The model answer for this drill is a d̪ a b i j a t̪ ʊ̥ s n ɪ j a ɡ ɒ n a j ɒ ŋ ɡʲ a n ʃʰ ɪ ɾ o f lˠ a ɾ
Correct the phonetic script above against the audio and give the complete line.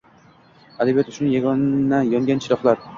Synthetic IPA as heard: a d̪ a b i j a t̪ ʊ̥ ʃ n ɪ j a ɡ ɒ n a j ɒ ŋ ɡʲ a n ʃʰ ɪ ɾ ɒ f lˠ a ɾ

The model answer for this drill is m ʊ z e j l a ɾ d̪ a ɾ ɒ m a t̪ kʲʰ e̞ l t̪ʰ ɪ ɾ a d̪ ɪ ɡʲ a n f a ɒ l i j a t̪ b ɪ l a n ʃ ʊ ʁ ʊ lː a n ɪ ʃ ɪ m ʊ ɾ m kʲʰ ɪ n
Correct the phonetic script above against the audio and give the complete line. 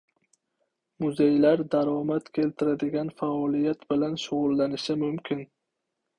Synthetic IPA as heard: m ʊ z e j l a ɾ d̪ a ɾ ɒ m a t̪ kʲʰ e̞ l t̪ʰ ɪ ɾ a d̪ ɪ ɡʲ a n f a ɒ l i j a t̪ b ɪ l a n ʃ ʊ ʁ ʊ lː a n ɪ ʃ ɪ m ʊ m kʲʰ ɪ n

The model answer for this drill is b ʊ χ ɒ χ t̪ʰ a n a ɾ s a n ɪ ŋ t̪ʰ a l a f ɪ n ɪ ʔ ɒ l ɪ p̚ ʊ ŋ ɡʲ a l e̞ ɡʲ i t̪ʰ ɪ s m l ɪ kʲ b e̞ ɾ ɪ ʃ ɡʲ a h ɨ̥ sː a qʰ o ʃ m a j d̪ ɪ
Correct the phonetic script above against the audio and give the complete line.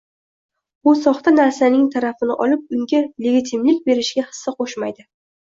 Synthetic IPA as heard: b ʊ s ɒ χ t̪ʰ a n a ɾ s a n ɪ ŋ t̪ʰ a ɾ a f ɪ n ɪ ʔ ɒ l ɪ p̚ ʊ ŋ ɡʲ a l e̞ ɡʲ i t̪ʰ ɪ m l ɪ kʲ b e̞ ɾ ɪ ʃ ɡʲ a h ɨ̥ sː a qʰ o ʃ m a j d̪ ɪ

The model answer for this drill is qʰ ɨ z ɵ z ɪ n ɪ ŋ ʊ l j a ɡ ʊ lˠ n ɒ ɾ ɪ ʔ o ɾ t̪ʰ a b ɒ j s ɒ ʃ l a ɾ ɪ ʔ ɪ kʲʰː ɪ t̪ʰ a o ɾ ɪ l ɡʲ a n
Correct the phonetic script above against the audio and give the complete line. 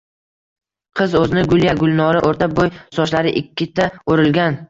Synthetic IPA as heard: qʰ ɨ z ɵ z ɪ n ɪ ɡ ʊ l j a ɡ ʊ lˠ n ɒ ɾ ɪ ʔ o ɾ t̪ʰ a b o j s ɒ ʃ l a ɾ ɪ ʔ ɪ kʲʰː ɪ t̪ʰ a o ɾ ɪ l ɡʲ a n

